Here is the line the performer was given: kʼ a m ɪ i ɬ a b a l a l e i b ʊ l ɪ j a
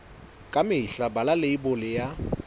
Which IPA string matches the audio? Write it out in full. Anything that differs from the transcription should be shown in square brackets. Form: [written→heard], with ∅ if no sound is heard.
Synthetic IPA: kʼ a m ɪ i ɬ a b a l a l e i b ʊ l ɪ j a